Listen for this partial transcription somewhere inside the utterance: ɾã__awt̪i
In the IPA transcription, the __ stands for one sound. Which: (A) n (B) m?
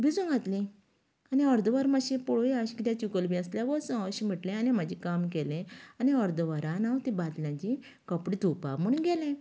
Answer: A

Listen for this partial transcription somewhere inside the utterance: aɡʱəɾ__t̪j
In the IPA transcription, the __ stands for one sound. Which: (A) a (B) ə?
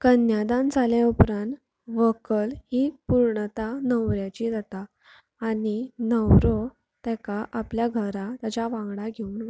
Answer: A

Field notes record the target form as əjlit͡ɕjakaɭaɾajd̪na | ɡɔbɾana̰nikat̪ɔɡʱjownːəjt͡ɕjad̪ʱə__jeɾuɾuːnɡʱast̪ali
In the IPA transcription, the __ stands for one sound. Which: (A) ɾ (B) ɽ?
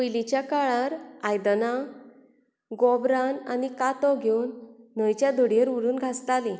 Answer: B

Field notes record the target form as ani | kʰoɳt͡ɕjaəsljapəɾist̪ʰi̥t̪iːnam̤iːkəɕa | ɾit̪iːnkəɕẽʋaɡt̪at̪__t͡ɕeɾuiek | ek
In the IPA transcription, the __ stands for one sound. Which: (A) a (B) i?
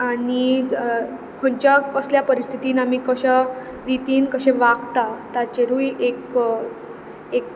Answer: A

